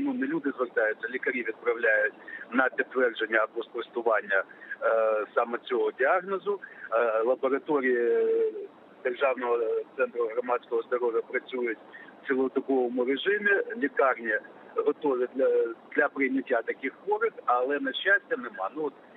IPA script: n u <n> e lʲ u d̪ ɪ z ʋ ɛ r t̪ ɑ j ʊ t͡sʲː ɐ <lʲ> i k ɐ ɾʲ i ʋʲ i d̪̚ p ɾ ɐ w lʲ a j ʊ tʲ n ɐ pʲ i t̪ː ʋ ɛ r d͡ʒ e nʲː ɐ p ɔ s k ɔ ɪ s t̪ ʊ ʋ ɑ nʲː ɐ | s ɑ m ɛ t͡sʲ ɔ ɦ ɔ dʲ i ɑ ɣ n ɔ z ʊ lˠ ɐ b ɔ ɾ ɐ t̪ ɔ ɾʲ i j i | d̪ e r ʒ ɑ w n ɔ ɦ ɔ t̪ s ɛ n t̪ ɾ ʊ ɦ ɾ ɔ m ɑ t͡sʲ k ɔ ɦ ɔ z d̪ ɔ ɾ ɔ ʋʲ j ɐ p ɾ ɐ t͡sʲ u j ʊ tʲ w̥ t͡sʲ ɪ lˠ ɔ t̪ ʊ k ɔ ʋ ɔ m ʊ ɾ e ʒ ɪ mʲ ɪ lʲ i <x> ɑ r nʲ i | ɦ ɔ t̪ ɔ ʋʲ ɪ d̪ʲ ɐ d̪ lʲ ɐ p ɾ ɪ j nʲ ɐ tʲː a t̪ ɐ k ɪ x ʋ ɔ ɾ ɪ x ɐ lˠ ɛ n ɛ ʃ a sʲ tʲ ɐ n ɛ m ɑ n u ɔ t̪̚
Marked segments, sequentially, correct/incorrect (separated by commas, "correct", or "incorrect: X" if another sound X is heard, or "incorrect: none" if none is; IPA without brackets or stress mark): correct, correct, incorrect: k